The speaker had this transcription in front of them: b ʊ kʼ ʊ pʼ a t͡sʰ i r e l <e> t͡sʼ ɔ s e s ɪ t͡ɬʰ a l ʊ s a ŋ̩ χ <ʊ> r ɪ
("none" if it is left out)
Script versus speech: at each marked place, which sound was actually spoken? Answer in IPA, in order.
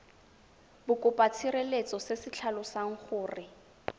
e, ʊː

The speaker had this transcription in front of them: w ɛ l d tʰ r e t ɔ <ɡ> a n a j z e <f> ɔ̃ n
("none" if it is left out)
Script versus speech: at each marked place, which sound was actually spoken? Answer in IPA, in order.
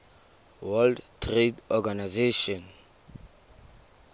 ɡ, ʃ

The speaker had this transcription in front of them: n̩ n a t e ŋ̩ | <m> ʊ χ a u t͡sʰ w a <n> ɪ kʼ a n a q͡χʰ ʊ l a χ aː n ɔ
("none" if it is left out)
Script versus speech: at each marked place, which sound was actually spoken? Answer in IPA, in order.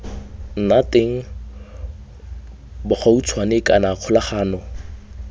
b, n

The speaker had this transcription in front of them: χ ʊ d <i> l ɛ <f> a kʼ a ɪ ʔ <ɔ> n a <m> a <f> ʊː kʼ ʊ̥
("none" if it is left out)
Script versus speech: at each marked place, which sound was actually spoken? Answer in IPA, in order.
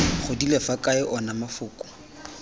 i, f, ɔ, m, f

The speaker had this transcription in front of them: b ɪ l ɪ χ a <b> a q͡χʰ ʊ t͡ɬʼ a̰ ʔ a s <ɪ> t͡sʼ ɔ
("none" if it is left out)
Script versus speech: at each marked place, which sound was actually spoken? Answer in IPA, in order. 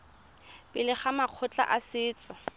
m, ɪː

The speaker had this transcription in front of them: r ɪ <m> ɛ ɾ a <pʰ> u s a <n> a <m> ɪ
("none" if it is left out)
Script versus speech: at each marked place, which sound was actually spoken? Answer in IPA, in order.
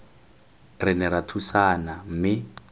n, tʰ, n, m

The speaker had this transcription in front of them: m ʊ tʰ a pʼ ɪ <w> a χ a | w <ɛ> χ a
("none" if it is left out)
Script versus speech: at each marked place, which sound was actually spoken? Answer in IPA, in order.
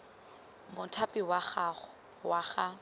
w, a

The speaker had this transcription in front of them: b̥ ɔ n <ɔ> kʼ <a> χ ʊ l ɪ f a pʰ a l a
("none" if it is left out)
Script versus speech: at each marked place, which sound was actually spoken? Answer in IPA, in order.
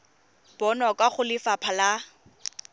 ɔ, a

